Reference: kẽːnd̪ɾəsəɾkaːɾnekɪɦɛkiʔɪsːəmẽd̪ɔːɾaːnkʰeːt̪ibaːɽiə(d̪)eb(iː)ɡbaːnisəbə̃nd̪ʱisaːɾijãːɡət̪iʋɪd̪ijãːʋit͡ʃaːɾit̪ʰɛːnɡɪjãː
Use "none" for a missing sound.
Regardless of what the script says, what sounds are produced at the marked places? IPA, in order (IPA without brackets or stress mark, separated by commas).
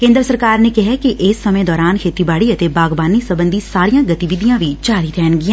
t̪, aː